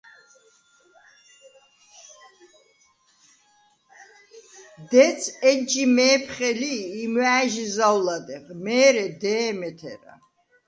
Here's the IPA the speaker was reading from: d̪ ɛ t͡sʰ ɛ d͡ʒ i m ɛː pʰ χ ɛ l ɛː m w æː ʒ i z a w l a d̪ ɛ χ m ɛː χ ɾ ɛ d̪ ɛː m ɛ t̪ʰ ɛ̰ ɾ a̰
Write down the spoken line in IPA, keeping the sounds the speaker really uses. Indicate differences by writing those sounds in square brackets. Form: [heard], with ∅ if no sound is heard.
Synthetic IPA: d̪ ɛ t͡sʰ ɛ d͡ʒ i m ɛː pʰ χ ɛ l [iː] m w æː ʒ i z a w l a d̪ ɛ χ m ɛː [∅] ɾ ɛ d̪ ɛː m ɛ t̪ʰ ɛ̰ ɾ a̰